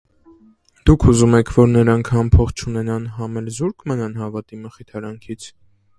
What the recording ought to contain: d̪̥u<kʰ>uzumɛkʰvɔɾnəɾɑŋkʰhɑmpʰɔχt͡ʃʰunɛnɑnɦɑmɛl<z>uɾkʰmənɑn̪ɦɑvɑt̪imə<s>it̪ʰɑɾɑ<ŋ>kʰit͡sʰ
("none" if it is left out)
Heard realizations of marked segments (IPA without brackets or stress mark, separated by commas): kʰ, z, χ, ŋ